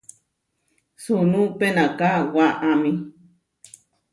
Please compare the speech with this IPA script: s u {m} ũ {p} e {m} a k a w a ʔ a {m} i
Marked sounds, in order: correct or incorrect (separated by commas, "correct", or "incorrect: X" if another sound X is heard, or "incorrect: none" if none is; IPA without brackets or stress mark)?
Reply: incorrect: n, correct, incorrect: n, correct